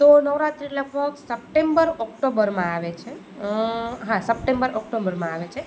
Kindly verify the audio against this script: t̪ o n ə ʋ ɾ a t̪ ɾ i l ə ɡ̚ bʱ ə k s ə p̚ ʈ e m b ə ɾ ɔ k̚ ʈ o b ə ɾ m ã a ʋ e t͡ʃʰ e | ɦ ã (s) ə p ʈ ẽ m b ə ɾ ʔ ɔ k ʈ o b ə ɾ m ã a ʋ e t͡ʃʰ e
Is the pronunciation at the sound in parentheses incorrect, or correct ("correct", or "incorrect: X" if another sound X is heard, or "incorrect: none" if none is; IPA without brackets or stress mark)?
correct